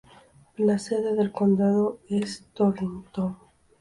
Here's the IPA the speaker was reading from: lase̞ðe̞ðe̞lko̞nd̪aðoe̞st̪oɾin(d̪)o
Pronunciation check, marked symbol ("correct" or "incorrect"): incorrect